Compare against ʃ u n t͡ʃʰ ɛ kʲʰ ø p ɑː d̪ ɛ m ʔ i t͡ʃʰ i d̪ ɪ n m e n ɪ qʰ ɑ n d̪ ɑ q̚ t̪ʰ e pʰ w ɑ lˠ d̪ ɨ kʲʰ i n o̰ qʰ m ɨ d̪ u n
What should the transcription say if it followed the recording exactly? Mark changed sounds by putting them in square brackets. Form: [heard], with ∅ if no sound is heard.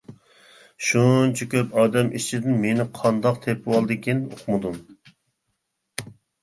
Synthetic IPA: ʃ u n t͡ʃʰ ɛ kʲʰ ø p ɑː d̪ ɛ m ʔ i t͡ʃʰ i d̪ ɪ n m e n ɪ qʰ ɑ n d̪ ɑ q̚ t̪ʰ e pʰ w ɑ lˠ d̪ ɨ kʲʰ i n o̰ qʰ m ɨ d̪ u n